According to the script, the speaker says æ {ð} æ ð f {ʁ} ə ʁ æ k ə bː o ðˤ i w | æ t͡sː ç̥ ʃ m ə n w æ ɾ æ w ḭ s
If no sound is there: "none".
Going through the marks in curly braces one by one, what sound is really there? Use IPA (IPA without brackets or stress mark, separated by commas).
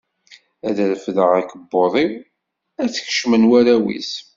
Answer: ð, ð